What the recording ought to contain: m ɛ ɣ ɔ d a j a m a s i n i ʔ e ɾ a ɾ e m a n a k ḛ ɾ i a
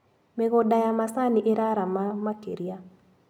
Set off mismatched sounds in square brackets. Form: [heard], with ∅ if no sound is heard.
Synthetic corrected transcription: m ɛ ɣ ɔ d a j a m a s [a] n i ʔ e ɾ a ɾ [a] m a [m] a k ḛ ɾ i a